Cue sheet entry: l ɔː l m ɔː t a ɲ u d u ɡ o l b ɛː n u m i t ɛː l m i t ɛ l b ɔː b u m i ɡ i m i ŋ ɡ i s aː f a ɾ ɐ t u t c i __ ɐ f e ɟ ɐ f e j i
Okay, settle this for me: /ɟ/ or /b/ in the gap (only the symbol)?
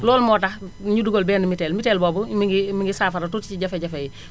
ɟ